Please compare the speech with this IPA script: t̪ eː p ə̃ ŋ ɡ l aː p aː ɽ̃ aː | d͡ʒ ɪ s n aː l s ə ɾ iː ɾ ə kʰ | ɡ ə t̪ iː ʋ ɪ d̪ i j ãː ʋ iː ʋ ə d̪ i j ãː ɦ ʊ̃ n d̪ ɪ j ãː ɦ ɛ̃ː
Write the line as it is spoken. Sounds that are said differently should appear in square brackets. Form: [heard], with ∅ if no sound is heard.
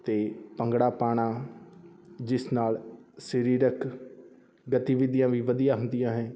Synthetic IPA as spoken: t̪ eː p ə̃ ŋ ɡ [ɽ] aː p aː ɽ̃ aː | d͡ʒ ɪ s n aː l s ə ɾ iː ɾ ə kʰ | ɡ ə t̪ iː ʋ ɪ d̪ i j ãː ʋ iː ʋ ə d̪ i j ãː ɦ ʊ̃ n d̪ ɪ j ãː ɦ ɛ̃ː